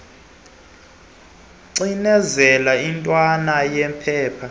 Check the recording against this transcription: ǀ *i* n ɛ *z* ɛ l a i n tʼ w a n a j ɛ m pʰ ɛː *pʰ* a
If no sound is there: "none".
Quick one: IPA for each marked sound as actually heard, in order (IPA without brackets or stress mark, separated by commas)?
i, z, pʰ